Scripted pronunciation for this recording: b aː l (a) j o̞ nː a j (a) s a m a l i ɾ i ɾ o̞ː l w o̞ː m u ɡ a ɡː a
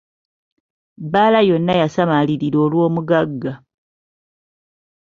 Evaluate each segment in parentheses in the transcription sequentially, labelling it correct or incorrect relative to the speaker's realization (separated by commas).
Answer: correct, correct